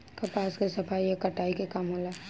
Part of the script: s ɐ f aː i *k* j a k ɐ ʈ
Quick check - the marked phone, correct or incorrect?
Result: incorrect